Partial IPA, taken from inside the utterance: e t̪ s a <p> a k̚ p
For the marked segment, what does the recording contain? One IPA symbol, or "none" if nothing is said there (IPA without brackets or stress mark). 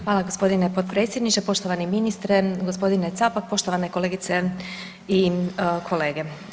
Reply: p